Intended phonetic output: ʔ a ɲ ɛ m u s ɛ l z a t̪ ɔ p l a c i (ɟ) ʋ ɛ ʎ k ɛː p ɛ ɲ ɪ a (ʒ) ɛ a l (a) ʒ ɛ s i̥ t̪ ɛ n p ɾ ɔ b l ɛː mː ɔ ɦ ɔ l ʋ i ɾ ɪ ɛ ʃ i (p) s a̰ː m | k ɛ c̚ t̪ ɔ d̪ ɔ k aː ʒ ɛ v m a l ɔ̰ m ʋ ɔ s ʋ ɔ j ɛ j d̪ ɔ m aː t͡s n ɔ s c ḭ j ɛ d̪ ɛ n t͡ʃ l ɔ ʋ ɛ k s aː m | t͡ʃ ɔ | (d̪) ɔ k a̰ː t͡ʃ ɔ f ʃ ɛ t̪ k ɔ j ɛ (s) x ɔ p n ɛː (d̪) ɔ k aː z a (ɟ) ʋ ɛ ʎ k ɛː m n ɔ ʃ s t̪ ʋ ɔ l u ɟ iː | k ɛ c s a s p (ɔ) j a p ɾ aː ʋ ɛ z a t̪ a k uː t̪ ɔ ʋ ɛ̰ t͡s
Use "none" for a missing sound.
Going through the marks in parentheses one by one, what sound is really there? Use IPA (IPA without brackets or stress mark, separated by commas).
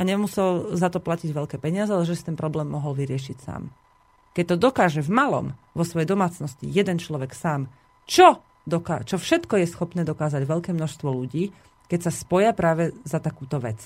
ɟ, z, ɛ, c, d̪, s, d̪, ɟ, ɔ